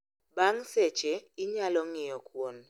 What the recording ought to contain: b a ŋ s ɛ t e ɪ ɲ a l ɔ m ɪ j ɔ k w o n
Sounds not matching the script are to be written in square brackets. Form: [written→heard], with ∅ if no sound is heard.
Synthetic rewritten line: b a ŋ s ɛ [t→t͡ʃ] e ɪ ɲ a l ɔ [m→ŋ] ɪ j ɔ k w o n